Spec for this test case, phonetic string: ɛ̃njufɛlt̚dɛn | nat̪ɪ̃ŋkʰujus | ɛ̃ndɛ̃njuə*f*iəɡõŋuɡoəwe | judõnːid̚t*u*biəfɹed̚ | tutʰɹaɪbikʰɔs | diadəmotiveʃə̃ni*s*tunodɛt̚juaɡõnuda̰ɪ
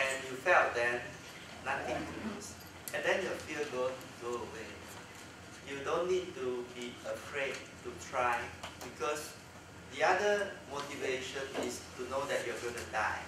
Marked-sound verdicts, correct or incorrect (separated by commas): correct, correct, correct